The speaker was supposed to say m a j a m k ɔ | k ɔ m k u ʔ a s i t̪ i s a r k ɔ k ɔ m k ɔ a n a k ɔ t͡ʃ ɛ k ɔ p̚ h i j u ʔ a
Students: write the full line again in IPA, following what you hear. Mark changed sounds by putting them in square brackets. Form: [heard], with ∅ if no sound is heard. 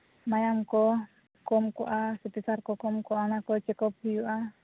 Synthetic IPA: m a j a m k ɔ | k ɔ m k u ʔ a s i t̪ i s a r k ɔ k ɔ m k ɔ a n a k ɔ t͡ʃ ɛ k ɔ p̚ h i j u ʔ a